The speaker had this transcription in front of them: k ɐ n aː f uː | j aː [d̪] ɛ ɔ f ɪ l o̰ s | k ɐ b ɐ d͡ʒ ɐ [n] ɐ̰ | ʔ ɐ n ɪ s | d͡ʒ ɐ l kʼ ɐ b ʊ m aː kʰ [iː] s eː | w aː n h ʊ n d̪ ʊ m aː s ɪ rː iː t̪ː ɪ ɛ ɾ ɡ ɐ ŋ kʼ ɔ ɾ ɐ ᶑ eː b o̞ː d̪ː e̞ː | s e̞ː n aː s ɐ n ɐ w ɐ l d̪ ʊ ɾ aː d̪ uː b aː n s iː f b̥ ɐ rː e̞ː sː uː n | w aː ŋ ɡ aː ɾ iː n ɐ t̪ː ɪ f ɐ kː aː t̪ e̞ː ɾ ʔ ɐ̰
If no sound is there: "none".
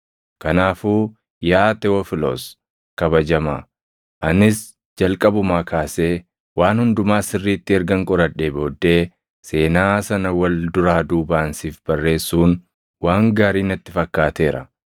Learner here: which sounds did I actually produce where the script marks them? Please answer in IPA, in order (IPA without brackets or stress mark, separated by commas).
t̪, m, aː